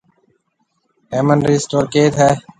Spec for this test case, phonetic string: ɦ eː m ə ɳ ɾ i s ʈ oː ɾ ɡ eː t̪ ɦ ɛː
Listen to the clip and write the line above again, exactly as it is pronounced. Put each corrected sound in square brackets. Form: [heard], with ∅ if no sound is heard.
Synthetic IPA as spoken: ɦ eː m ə [n] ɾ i s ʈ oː ɾ [k] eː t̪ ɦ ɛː